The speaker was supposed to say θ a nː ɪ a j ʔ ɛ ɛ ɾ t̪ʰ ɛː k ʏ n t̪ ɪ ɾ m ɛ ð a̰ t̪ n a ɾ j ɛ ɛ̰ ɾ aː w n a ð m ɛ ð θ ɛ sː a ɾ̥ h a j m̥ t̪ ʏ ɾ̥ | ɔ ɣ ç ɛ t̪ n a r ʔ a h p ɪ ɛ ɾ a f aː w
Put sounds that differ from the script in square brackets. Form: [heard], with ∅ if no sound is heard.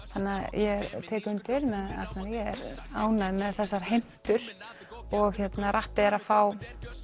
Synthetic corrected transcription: θ a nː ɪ a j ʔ ɛ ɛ ɾ t̪ʰ ɛː k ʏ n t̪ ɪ ɾ m ɛ ð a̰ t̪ n a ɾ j ɛ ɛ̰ ɾ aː w n a ð m ɛ ð θ ɛ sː a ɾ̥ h [e] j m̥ t̪ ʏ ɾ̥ | ɔ ɣ ç ɛ t̪ n a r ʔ a h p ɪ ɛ ɾ a f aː w